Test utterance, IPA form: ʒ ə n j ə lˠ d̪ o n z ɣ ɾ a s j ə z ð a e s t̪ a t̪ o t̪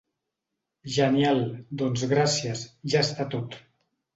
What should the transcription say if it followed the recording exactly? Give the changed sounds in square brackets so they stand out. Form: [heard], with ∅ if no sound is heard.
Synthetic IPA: ʒ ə n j [a] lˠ d̪ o n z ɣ ɾ a s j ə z [ʒ] a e s t̪ a t̪ o t̪